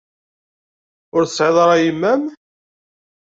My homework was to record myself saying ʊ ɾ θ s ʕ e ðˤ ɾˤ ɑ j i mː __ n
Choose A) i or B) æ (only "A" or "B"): B